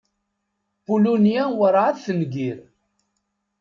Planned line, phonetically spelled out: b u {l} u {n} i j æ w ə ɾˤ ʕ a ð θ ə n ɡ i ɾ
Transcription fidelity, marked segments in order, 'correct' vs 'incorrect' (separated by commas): correct, correct